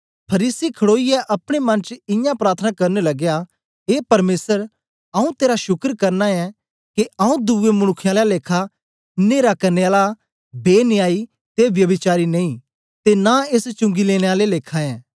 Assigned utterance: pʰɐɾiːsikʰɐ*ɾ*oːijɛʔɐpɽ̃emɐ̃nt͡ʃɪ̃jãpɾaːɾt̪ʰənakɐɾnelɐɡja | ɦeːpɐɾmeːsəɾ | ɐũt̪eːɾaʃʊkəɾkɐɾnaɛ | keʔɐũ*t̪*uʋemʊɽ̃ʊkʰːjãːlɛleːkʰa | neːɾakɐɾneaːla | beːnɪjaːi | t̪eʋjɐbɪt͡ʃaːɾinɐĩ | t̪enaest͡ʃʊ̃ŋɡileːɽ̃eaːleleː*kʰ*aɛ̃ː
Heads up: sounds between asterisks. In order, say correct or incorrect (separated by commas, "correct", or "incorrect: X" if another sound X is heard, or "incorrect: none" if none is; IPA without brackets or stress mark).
incorrect: ɽ, incorrect: d̪, correct